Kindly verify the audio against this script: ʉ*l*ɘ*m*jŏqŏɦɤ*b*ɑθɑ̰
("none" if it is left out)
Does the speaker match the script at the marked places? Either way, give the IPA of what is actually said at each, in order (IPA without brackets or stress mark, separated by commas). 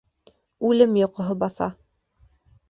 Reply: l, m, b